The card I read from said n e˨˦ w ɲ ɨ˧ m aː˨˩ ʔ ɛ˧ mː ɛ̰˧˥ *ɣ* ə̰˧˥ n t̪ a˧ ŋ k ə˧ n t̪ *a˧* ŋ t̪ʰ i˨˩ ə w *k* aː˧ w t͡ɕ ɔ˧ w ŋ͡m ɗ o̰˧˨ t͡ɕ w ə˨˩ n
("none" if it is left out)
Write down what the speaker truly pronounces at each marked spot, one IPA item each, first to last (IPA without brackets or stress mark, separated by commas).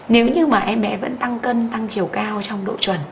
v, a˧, k